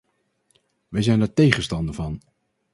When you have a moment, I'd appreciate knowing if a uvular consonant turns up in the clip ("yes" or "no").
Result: yes